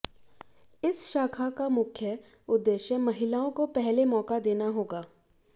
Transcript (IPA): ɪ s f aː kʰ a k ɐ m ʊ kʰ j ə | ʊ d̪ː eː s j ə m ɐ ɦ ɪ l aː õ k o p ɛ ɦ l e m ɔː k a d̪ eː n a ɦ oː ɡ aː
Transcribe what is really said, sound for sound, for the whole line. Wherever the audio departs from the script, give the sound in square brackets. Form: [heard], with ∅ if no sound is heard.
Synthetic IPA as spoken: ɪ s [ʃ] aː kʰ a k [a] m ʊ kʰ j ə | ʊ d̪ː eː [ʃ] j ə m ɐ ɦ ɪ l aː õ k o p ɛ ɦ l e m ɔː k a d̪ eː n a ɦ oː ɡ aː